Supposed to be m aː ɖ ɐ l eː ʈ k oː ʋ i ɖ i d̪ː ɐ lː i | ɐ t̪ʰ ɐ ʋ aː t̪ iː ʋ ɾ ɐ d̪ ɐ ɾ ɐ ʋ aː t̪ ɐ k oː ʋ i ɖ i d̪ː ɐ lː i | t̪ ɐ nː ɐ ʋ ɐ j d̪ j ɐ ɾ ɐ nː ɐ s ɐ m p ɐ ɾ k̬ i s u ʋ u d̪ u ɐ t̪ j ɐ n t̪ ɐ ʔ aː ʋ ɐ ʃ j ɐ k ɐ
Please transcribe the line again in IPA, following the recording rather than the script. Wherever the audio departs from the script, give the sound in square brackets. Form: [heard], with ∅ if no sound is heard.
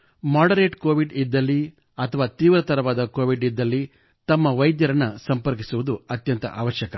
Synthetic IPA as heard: m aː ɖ ɐ [ɾ] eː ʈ k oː ʋ i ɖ i d̪ː ɐ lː i | ɐ t̪ʰ ɐ ʋ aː t̪ iː ʋ ɾ ɐ [t̪] ɐ ɾ ɐ ʋ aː [d̪] ɐ k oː ʋ i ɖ i d̪ː ɐ lː i | t̪ ɐ [mː] ɐ ʋ ɐ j d̪ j ɐ ɾ ɐ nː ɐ s ɐ m p ɐ ɾ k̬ i s u ʋ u d̪ u ɐ t̪ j ɐ n t̪ ɐ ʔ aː ʋ ɐ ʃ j ɐ k ɐ

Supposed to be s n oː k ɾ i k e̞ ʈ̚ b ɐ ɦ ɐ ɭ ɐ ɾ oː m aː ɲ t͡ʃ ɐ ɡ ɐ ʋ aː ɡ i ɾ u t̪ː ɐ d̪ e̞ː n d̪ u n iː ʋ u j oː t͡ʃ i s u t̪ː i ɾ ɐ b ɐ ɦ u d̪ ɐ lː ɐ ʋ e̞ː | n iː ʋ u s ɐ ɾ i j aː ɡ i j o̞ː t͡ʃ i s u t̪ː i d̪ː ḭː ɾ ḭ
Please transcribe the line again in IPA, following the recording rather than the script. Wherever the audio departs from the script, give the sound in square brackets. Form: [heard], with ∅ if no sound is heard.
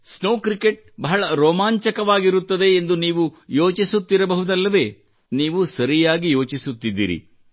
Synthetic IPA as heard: s n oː k ɾ i k e̞ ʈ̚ b ɐ ɦ ɐ ɭ ɐ ɾ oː m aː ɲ t͡ʃ ɐ [k] ɐ ʋ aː ɡ i ɾ u t̪ː ɐ d̪ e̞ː n d̪ u n iː ʋ u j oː t͡ʃ i s u t̪ː i ɾ ɐ b ɐ ɦ u d̪ ɐ lː ɐ ʋ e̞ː | n iː ʋ u s ɐ ɾ i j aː ɡ i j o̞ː t͡ʃ i s u t̪ː i d̪ː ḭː ɾ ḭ

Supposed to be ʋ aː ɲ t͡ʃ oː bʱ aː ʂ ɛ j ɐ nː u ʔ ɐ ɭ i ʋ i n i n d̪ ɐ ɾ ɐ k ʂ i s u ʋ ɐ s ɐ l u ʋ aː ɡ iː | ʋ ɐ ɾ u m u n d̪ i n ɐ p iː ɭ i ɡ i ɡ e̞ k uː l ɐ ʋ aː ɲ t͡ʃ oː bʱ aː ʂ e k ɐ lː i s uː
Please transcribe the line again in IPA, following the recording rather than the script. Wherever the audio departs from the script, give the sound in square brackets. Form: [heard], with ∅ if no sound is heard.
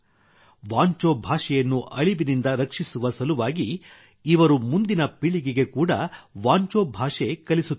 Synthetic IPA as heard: ʋ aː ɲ t͡ʃ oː bʱ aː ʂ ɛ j ɐ nː u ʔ ɐ ɭ i ʋ i n i n d̪ ɐ ɾ ɐ k ʂ i s u ʋ ɐ s ɐ l u ʋ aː ɡ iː | ʋ ɐ ɾ u m u n d̪ i n ɐ p [i] ɭ i ɡ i ɡ e̞ k uː [ɽ] ɐ ʋ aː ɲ t͡ʃ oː bʱ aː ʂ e k ɐ [l] i s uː

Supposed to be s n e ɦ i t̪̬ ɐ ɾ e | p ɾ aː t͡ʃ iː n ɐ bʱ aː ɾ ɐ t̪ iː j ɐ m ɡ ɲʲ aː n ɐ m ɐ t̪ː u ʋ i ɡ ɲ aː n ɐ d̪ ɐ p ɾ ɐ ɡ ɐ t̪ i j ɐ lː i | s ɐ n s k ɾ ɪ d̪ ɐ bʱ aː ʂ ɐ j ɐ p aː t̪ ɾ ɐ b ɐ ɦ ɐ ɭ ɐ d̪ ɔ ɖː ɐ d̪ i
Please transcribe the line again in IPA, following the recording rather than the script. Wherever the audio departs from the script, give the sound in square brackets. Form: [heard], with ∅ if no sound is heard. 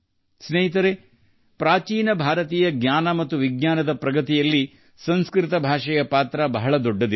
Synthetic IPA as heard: s n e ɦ i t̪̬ ɐ ɾ e | p ɾ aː t͡ʃ iː n ɐ bʱ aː ɾ ɐ t̪ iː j ɐ [∅] ɡ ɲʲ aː n ɐ m ɐ t̪ː u ʋ i ɡ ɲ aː n ɐ d̪ ɐ p ɾ ɐ ɡ ɐ t̪ i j ɐ lː i | s ɐ n s k ɾ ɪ [t̪] ɐ bʱ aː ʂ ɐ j ɐ p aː t̪ ɾ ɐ b ɐ ɦ ɐ ɭ ɐ d̪ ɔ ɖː ɐ d̪ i

